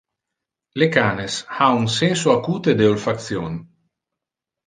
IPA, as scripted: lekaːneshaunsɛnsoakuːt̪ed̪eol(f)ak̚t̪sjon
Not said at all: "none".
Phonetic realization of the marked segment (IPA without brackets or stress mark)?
f